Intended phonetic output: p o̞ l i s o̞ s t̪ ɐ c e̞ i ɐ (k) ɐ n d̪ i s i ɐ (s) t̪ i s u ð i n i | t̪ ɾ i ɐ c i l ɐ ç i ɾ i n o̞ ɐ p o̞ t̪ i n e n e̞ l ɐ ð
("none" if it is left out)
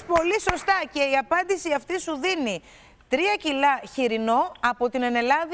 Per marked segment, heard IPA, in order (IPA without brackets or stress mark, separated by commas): p, f